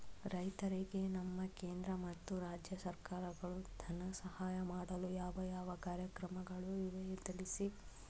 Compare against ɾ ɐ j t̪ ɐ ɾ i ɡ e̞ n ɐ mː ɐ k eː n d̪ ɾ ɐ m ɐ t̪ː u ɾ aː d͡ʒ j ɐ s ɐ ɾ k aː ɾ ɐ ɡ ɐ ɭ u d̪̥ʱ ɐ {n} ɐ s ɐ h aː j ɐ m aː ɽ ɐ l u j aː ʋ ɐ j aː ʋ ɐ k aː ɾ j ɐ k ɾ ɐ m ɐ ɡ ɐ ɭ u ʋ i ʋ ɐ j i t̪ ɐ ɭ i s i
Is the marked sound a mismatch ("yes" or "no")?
no